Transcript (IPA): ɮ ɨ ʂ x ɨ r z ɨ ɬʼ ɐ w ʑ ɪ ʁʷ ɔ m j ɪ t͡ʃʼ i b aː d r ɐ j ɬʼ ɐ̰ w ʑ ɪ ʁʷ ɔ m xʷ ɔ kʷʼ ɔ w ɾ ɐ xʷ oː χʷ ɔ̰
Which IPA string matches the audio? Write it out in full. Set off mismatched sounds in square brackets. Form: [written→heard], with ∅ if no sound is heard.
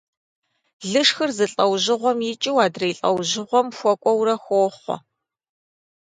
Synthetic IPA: ɮ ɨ ʂ x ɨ r z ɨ ɬʼ ɐ w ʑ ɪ ʁʷ ɔ m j ɪ t͡ʃʼ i [b→w] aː d r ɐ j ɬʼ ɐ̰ w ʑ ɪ ʁʷ ɔ m xʷ ɔ kʷʼ ɔ w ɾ ɐ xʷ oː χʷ ɔ̰